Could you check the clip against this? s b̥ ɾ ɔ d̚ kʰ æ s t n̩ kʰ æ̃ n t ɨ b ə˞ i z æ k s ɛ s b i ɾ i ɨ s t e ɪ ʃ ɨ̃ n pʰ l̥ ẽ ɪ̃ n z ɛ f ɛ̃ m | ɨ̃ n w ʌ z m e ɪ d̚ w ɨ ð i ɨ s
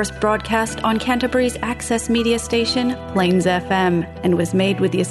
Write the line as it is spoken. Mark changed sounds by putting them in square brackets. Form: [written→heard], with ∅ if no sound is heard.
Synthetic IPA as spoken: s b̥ [ɾ→ɹ] ɔ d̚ kʰ æ s t n̩ kʰ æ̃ n t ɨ b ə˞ i z æ k s ɛ s [b→m] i ɾ i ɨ s t e ɪ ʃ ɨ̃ n pʰ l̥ ẽ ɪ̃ n z ɛ f ɛ̃ m | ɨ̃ n w ʌ z m e ɪ d̚ w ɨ ð i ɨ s